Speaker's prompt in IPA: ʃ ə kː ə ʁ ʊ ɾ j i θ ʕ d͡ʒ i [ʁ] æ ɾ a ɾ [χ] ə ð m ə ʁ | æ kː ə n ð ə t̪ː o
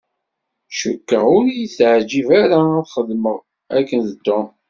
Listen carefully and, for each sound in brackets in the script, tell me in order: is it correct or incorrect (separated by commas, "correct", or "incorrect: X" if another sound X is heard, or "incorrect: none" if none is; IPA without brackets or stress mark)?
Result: incorrect: v, correct